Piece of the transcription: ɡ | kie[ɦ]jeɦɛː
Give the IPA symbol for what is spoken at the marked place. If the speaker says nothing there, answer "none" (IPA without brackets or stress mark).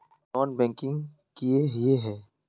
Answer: ɦ